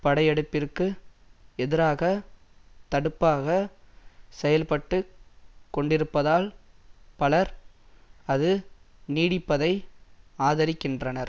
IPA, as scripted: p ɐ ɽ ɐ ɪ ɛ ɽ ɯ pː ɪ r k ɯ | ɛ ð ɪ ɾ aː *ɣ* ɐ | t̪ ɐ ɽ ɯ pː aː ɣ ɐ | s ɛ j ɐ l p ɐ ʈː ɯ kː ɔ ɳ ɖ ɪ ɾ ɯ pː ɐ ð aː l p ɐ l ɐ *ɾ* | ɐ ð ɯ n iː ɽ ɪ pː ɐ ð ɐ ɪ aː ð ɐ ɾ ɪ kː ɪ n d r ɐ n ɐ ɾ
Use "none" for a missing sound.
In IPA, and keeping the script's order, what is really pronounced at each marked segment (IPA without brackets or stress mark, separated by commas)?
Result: ɣ, ɾ